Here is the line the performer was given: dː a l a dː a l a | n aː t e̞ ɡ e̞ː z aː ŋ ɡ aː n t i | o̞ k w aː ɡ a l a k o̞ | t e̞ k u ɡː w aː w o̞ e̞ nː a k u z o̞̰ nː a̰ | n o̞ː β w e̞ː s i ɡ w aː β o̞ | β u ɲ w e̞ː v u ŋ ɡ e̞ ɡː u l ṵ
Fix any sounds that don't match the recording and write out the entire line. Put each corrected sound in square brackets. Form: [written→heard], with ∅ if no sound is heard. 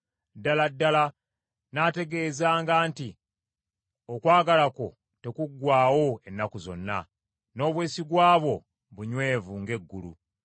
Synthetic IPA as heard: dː a l a dː a l a | n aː t e̞ ɡ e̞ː z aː ŋ ɡ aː n t i | o̞ k w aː ɡ a l a k o̞ | t e̞ k u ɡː w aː w o̞ e̞ nː a k u z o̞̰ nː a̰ | n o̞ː β w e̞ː s i ɡ w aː β o̞ | β u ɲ w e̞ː v u ŋ ɡ e̞ ɡː u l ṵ